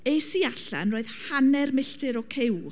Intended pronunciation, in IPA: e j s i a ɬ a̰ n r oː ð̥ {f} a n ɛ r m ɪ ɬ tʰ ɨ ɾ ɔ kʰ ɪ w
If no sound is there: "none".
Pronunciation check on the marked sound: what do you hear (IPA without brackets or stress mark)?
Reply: h